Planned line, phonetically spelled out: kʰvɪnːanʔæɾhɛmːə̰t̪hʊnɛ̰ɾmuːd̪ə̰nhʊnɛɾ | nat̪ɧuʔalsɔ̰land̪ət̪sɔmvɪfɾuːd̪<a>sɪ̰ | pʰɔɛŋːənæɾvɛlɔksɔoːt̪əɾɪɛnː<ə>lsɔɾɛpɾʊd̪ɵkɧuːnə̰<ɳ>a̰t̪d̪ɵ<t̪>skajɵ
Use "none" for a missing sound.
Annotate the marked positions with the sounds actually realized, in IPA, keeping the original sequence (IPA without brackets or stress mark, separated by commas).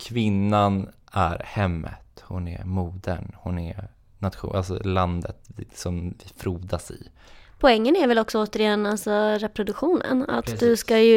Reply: a, a, n, none